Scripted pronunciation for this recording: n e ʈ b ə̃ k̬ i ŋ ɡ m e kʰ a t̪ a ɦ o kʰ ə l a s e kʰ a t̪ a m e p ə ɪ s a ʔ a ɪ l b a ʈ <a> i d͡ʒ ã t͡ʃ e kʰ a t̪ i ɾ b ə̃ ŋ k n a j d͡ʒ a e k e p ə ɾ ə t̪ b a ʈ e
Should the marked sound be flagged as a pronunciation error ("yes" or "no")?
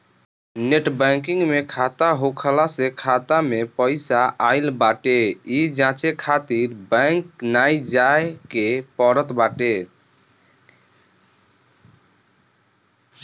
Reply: yes